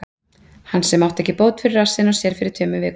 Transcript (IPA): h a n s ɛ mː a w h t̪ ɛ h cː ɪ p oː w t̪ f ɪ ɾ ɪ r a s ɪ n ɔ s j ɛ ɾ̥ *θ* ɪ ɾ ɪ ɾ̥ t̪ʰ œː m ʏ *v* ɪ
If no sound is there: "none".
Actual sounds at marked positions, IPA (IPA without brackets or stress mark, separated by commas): f, v